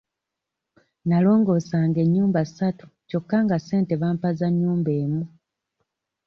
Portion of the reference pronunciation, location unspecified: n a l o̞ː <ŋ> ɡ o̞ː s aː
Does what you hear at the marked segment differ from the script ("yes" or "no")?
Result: no